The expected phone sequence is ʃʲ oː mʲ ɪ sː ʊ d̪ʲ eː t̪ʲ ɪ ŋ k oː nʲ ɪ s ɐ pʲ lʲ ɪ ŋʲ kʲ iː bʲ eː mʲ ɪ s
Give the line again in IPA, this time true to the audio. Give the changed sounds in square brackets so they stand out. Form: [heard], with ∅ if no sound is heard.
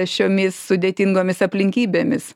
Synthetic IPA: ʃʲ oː mʲ ɪ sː ʊ d̪ʲ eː t̪ʲ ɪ ŋ [ɡ] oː [mʲ] ɪ s ɐ pʲ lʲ ɪ ŋʲ kʲ iː bʲ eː mʲ ɪ s